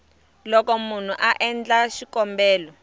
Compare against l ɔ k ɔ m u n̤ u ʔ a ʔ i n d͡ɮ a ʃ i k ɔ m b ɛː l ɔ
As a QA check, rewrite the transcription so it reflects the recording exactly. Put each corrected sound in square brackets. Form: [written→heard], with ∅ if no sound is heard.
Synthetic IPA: l ɔ k ɔ m u n̤ u ʔ a ʔ [i→ɛ] n d͡ɮ a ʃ i k ɔ m b ɛː l ɔ